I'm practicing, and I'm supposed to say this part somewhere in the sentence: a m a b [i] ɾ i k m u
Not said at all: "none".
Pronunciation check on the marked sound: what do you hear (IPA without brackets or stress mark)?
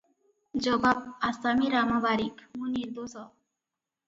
a